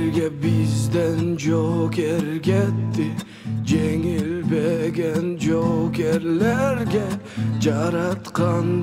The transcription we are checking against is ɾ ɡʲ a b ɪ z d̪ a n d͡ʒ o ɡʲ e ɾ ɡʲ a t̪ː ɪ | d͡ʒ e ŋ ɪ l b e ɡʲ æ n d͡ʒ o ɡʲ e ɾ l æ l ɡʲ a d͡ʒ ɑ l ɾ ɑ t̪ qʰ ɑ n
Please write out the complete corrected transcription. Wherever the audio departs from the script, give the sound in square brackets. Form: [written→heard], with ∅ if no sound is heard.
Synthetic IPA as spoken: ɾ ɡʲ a b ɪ z d̪ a n d͡ʒ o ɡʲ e ɾ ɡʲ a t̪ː ɪ | d͡ʒ e ŋ ɪ l b e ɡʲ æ n d͡ʒ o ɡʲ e ɾ l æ [l→ɾ] ɡʲ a d͡ʒ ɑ [l→∅] ɾ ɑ t̪ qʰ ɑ n